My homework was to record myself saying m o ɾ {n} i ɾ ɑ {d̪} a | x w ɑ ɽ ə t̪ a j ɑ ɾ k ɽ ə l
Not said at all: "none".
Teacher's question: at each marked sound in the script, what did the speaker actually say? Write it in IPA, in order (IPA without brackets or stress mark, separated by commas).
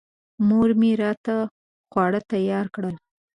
m, t̪